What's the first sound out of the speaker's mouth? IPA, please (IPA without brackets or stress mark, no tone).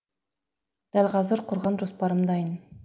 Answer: d̪̥